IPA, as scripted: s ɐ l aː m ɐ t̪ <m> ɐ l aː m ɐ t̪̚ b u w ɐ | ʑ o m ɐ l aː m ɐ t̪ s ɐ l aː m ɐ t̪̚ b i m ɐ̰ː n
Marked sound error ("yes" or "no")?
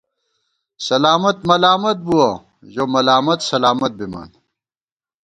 no